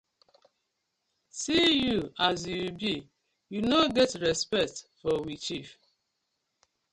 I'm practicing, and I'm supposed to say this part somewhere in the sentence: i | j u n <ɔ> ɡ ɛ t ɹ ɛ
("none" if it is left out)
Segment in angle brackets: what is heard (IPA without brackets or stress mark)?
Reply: o